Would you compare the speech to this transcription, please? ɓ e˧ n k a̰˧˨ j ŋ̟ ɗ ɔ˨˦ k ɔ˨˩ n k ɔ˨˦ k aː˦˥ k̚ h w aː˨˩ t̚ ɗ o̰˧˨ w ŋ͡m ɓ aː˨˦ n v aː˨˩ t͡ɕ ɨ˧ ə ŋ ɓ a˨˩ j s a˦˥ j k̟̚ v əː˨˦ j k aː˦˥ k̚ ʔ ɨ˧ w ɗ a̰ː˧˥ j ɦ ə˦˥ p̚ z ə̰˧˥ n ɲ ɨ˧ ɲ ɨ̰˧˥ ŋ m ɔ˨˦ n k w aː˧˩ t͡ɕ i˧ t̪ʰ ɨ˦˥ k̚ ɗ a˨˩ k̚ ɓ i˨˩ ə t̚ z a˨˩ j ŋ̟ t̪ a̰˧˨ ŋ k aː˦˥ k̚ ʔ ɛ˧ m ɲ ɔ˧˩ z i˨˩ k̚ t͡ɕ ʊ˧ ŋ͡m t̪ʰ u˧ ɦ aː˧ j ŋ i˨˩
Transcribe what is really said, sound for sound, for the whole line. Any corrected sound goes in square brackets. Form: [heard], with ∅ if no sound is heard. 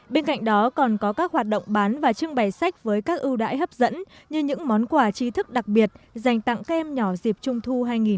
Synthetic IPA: ɓ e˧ n k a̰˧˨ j ŋ̟ ɗ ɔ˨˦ k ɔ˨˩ n k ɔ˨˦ k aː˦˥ k̚ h w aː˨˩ t̚ ɗ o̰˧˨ w ŋ͡m ɓ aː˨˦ n v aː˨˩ t͡ɕ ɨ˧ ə ŋ ɓ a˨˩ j s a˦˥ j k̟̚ v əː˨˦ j k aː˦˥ k̚ ʔ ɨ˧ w ɗ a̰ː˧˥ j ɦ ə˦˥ p̚ z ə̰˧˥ n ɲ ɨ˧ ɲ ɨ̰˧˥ ŋ m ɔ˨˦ n k w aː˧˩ t͡ɕ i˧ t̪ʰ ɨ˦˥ k̚ ɗ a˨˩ k̚ ɓ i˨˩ ə t̚ z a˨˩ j ŋ̟ t̪ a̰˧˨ ŋ k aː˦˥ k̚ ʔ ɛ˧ m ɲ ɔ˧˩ z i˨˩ [p̚] t͡ɕ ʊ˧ ŋ͡m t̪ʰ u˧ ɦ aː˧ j ŋ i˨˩